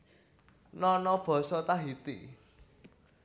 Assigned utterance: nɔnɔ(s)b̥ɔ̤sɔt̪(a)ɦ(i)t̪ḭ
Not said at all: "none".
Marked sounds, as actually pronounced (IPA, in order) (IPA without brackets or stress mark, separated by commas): none, a, i